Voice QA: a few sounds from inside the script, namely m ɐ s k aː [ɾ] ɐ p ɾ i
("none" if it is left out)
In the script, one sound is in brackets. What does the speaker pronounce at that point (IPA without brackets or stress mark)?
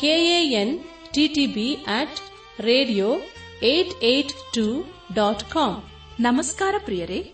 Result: ɾ